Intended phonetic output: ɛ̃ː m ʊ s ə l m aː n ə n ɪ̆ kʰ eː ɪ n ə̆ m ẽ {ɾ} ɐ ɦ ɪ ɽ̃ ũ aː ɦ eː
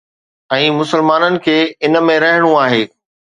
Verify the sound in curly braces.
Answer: correct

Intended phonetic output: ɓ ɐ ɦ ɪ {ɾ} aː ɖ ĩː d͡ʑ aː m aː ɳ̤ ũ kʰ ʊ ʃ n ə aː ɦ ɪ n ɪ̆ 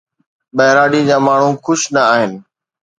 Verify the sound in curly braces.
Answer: correct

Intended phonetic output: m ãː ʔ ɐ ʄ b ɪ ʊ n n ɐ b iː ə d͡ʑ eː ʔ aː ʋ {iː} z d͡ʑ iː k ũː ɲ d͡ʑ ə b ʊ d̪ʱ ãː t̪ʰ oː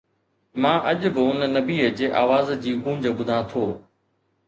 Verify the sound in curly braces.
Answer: incorrect: aː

